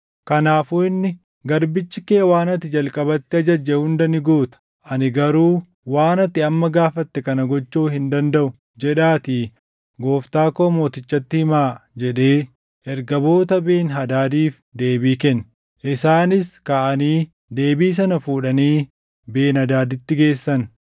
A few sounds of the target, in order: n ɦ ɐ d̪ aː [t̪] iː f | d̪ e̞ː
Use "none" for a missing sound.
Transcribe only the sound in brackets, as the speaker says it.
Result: d̪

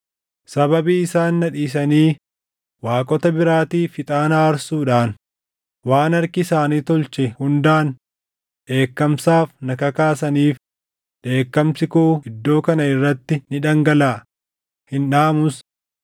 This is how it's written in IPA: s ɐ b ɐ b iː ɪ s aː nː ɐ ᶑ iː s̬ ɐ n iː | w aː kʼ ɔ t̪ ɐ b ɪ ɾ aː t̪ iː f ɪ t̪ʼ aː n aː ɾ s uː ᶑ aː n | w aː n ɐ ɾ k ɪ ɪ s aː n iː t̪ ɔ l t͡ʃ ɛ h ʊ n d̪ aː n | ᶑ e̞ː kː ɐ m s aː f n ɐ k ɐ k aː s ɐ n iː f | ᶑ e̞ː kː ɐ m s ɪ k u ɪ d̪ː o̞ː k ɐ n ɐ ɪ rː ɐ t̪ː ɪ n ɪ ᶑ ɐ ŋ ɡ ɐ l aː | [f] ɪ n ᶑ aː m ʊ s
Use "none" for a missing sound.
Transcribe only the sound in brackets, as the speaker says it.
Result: h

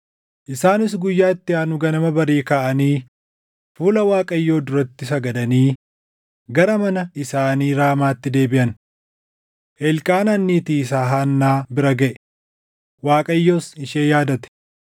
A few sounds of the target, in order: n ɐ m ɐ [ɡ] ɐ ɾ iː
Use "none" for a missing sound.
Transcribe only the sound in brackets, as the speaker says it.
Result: b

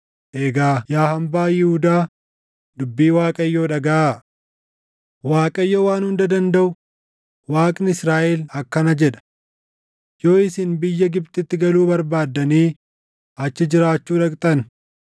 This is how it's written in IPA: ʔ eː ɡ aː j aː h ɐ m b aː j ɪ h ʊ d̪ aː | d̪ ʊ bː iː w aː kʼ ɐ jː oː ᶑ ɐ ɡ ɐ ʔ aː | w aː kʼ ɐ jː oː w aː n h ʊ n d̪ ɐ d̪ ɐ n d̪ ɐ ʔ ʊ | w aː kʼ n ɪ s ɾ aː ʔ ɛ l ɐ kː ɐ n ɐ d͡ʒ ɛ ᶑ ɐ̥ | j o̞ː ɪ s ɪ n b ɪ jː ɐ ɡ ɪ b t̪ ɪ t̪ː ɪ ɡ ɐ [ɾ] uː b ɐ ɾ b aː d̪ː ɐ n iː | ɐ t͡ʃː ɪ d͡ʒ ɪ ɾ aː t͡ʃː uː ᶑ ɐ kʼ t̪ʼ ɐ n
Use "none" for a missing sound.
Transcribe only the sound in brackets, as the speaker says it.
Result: l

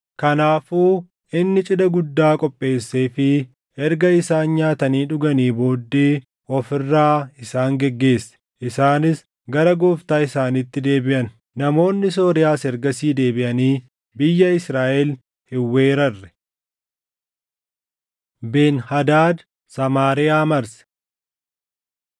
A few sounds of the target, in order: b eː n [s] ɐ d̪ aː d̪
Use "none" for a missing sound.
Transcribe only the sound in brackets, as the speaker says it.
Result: h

